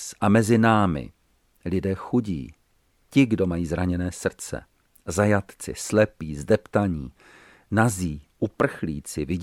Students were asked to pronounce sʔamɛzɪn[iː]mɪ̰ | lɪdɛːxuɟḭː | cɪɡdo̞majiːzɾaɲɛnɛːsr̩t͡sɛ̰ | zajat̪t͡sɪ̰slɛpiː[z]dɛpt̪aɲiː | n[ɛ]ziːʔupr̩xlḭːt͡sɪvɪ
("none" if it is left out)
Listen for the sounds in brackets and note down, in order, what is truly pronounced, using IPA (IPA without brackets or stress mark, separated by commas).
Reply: aː, z, a